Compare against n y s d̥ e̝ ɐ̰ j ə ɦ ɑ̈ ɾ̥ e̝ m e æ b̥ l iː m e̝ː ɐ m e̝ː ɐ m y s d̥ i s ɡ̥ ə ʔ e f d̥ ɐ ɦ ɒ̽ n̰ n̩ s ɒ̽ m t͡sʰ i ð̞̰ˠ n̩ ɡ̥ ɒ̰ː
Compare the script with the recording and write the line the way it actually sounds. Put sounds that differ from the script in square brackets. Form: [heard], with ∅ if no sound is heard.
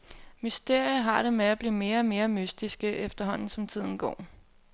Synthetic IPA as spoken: [m] y s d̥ e̝ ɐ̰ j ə ɦ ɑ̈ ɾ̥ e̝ m e æ b̥ l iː m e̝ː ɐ m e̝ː ɐ m y s d̥ i s ɡ̥ ə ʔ e f d̥ ɐ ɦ ɒ̽ n̰ n̩ s ɒ̽ m t͡sʰ i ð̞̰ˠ n̩ ɡ̥ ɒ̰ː